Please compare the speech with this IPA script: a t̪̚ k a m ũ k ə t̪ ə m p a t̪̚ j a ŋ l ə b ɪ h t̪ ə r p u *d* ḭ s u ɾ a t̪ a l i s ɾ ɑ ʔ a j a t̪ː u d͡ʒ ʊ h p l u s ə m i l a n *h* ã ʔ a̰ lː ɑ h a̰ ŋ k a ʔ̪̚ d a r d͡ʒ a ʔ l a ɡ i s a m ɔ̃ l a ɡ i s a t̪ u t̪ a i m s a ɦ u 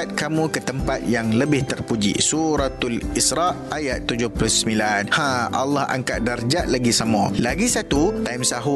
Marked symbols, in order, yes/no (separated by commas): no, yes